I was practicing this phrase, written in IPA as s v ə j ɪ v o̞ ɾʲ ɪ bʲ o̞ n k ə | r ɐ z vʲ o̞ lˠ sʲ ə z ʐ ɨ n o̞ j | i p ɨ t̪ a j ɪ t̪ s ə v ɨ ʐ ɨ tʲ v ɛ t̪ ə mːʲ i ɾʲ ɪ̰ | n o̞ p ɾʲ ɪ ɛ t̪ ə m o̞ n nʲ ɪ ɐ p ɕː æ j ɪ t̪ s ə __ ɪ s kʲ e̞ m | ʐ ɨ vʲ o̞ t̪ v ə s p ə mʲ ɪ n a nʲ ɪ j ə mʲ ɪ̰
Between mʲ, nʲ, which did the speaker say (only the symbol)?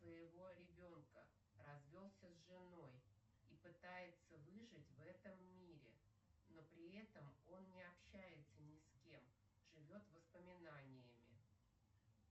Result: nʲ